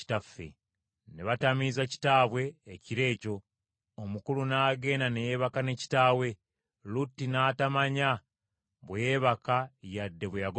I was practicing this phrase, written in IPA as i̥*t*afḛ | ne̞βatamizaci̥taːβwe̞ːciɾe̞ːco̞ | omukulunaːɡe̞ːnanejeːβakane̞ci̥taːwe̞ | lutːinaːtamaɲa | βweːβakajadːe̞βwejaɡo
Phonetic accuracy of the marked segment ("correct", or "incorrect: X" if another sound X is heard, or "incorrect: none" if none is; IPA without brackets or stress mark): correct